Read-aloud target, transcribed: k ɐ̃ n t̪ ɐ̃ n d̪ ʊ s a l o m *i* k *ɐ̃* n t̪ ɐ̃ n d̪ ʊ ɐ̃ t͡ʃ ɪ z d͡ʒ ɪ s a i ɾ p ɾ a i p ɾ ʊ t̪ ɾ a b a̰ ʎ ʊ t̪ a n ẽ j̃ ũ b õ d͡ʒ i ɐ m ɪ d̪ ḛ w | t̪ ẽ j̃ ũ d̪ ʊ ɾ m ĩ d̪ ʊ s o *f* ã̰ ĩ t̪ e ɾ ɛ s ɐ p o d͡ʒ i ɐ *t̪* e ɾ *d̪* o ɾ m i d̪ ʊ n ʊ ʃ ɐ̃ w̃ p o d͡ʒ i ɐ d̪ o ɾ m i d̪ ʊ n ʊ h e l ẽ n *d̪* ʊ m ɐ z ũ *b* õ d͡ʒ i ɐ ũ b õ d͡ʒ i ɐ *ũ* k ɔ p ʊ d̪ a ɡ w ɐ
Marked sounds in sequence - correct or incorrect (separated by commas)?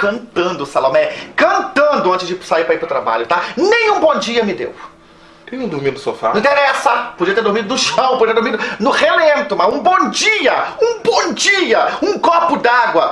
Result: incorrect, correct, correct, correct, correct, incorrect, correct, correct